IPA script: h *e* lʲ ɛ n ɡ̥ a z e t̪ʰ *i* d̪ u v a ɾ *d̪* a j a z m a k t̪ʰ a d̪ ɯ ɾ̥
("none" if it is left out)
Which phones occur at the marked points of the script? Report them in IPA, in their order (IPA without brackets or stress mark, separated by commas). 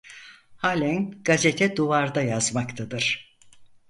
a, ɛ, d̪